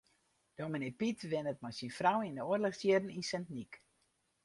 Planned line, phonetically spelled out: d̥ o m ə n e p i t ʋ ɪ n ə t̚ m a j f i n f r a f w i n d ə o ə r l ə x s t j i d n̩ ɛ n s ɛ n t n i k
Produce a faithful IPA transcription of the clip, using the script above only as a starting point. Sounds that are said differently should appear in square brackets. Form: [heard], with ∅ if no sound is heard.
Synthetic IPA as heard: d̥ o m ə n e p i t ʋ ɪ n ə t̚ m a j [s] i n f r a [∅] w i n d ə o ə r l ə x s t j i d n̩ [i] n s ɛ n t n i k

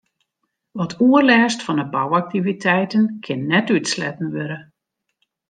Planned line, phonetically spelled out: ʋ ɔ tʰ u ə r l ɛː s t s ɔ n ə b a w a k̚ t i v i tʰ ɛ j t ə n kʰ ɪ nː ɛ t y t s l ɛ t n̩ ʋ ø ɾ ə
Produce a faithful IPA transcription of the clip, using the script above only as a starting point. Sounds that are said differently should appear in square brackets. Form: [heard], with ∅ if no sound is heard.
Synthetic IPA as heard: ʋ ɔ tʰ u ə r l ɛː s t [f] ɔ n ə b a w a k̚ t i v i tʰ ɛ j t ə n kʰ ɪ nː ɛ t y t s l ɛ t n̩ ʋ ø ɾ ə

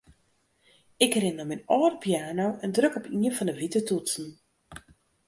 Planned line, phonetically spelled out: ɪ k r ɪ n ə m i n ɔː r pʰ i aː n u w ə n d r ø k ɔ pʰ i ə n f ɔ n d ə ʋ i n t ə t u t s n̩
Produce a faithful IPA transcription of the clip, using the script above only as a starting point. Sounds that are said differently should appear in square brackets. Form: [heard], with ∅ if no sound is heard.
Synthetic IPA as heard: ɪ k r ɪ n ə m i n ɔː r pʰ [j] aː n [o] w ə n d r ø k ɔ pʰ i ə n f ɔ n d ə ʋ i [∅] t ə t u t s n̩

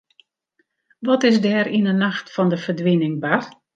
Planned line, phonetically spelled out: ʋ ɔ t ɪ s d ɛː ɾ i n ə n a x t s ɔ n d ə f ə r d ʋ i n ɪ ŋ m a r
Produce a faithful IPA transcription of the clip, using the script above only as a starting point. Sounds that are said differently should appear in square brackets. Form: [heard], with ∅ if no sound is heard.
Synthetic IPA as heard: ʋ ɔ t ɪ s d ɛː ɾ i n ə n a x t [f] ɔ n d ə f ə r d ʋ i n ɪ ŋ [b] a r

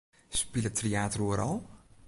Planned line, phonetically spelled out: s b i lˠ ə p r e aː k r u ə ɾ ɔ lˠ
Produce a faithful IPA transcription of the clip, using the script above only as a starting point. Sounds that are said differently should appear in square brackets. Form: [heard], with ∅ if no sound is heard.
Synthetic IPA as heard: s [p] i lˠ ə [t] r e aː [t] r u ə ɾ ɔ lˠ

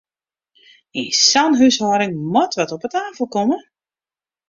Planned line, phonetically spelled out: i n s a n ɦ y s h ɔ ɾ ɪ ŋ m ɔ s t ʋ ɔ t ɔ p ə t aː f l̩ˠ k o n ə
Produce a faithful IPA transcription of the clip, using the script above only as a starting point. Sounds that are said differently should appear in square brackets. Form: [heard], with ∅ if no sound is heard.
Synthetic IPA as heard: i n s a n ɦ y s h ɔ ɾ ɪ ŋ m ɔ [∅] t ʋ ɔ t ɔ p ə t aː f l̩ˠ k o [m] ə

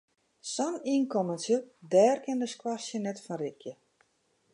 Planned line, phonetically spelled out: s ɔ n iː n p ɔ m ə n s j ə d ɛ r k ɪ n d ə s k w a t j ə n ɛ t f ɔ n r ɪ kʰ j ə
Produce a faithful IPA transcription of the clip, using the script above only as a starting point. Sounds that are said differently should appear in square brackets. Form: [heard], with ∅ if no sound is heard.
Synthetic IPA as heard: s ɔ n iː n [k] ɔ m ə n s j ə d [ɛː] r k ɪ n d ə s k w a [s] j ə n ɛ t f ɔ n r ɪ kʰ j ə

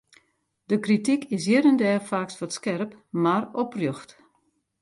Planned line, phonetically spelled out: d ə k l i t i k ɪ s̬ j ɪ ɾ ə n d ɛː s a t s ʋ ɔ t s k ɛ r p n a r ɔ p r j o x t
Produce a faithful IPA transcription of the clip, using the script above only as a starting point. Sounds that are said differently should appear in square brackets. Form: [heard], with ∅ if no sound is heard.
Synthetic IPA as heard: d ə k [r] i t i k ɪ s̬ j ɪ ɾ ə n d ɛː [f] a [k] s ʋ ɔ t s k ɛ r p [m] a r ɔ p r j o x t

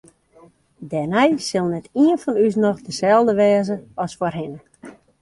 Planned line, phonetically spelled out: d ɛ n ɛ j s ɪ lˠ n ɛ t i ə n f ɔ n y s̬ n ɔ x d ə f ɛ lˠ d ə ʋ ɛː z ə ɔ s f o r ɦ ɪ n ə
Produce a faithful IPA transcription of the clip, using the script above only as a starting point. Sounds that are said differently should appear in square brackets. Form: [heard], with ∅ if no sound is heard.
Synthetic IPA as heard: d ɛ n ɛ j s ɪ lˠ n ɛ t i ə n f ɔ n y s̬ n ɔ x d ə [s] ɛ lˠ d ə ʋ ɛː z ə ɔ s f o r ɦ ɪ n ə

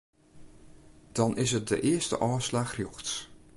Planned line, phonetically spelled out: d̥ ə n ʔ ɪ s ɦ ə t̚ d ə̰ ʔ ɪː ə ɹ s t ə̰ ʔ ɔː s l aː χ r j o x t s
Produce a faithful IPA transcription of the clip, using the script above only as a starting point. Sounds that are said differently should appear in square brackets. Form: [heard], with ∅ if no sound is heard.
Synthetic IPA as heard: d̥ [ɑ] n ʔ ɪ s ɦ ə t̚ d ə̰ ʔ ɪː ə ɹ s t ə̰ ʔ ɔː s l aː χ r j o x t s

